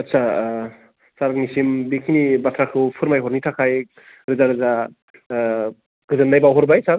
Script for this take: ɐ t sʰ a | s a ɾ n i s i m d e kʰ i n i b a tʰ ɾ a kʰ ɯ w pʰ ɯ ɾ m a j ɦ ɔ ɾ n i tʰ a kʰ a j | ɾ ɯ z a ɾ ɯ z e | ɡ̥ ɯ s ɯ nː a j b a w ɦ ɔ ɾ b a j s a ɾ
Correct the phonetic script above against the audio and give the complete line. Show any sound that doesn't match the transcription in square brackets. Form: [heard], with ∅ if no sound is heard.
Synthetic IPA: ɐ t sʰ a | s a ɾ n i s i m [b] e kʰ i n i b a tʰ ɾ a kʰ ɯ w pʰ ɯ ɾ m a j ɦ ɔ ɾ n i tʰ a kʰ a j | ɾ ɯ z a ɾ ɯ z [a] | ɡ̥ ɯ [z] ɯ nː a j b a w ɦ ɔ ɾ b a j s a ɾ